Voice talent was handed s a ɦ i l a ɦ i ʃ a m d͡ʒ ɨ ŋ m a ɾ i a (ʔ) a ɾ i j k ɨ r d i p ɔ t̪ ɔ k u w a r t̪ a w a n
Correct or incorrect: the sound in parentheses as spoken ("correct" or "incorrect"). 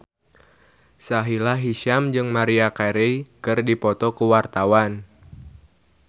incorrect